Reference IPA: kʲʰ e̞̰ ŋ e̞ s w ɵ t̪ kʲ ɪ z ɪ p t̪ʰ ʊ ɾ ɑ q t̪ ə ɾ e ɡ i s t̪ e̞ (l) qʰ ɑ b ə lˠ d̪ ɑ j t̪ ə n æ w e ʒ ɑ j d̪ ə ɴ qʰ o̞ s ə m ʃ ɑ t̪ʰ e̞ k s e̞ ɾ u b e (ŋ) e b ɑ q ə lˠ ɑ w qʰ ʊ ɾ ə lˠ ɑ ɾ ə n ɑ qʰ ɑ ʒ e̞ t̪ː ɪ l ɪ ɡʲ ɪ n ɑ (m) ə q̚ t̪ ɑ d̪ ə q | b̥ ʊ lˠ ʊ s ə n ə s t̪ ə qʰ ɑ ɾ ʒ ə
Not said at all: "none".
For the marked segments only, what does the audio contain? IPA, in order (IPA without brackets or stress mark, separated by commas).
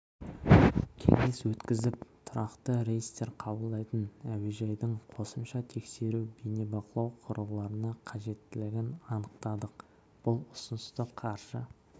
ɾ, n, n